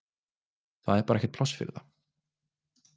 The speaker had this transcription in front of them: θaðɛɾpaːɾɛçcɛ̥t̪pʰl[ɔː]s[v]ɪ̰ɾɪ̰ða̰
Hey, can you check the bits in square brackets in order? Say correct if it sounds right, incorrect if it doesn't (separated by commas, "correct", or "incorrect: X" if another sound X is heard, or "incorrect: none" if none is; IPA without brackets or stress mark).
incorrect: ɔ, incorrect: f